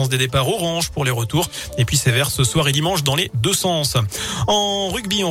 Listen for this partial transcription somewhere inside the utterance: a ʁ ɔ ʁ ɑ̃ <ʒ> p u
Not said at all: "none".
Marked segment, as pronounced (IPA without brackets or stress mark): ʒ